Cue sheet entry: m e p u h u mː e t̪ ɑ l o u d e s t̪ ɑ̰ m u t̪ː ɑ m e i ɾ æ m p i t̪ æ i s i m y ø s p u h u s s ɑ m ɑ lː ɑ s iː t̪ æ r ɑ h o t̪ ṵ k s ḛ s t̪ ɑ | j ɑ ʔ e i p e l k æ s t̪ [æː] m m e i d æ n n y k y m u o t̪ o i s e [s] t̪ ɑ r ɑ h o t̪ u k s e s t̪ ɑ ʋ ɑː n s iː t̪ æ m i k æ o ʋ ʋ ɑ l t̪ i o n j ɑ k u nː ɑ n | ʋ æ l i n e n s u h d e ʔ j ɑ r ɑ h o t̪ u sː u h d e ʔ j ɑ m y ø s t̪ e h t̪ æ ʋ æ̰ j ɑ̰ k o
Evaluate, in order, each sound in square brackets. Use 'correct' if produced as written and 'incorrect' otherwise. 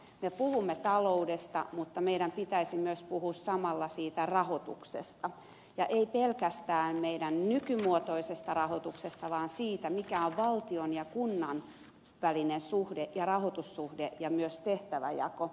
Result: correct, correct

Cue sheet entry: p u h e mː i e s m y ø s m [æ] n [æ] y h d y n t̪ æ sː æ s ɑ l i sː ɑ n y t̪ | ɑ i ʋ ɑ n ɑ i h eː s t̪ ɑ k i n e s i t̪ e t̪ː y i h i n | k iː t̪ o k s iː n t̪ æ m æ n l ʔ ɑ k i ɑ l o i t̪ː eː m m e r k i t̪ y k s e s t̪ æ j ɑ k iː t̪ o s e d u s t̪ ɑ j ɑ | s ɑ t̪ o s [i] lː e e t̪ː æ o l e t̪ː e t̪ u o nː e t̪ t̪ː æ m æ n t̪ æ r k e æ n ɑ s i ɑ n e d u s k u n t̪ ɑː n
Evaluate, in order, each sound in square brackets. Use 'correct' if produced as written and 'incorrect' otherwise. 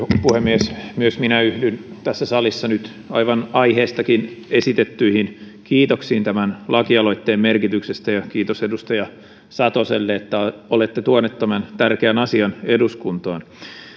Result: incorrect: i, correct, incorrect: e

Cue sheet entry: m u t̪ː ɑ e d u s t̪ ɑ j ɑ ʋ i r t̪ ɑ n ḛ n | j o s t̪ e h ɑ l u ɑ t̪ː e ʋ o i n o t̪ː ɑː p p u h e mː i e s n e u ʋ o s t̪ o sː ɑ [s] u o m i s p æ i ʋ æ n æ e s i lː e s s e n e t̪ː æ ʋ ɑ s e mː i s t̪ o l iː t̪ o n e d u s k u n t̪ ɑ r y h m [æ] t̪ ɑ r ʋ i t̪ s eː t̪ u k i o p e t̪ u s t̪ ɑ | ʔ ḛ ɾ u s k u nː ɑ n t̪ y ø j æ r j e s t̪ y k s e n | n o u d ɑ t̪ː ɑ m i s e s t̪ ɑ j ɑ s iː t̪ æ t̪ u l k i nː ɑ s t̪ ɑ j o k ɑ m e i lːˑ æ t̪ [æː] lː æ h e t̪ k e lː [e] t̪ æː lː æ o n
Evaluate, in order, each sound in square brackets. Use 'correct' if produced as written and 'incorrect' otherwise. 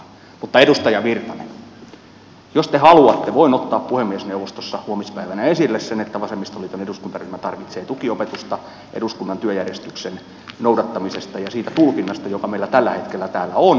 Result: incorrect: h, correct, incorrect: æ, incorrect: æ

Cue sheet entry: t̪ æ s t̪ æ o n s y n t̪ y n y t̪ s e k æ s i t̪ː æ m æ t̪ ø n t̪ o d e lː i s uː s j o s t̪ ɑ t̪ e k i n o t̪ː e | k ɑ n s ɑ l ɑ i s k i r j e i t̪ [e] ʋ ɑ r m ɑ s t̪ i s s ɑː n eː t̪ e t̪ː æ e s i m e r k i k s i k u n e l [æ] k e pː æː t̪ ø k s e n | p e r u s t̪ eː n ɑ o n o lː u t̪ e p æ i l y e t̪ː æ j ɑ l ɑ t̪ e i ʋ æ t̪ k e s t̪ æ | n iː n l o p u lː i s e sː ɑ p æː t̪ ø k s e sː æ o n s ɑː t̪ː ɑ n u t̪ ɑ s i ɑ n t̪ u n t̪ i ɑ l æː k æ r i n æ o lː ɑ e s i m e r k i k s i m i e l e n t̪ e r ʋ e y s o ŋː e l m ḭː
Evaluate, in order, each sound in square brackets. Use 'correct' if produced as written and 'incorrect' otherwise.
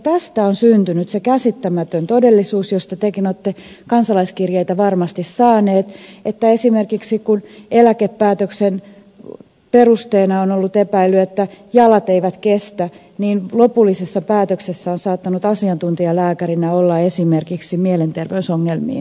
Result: incorrect: æ, correct

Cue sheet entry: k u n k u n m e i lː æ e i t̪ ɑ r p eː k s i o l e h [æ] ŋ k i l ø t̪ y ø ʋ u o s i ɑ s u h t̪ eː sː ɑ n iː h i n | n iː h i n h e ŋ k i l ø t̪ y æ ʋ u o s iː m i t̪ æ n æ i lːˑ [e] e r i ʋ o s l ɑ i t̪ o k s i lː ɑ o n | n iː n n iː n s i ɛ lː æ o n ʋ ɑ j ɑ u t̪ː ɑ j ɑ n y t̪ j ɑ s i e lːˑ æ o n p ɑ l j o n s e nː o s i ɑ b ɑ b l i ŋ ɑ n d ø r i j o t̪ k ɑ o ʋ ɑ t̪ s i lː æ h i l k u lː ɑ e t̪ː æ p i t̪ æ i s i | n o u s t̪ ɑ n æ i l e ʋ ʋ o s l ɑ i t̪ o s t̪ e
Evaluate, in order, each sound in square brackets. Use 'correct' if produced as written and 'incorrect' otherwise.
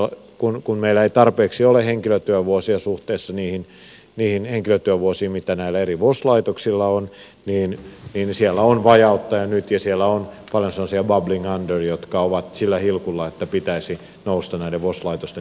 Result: incorrect: e, incorrect: æ

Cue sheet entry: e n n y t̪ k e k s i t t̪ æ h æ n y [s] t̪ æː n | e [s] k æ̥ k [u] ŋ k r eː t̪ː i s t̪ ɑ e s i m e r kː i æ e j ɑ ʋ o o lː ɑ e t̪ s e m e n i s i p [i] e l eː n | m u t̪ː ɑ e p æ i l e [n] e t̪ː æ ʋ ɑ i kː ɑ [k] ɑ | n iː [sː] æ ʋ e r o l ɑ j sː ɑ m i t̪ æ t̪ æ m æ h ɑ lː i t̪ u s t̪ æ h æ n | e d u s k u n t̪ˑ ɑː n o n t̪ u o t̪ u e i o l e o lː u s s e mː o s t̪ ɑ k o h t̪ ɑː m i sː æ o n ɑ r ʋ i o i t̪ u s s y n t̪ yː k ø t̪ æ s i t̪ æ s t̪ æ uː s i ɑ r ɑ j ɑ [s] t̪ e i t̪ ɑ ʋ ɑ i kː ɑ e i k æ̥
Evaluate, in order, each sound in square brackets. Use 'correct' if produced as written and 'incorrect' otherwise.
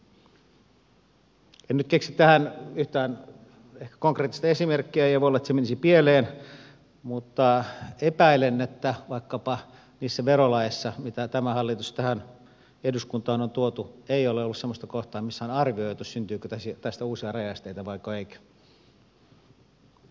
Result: incorrect: h, incorrect: h, incorrect: o, correct, incorrect: nː, incorrect: p, correct, correct

